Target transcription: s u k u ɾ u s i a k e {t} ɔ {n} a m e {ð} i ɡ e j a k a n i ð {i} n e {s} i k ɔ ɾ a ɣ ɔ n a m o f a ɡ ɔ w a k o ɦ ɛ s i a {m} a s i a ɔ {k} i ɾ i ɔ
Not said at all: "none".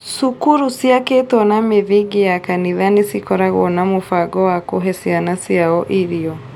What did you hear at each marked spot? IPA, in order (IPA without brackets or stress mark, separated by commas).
t, n, ð, a, s, n, ʔ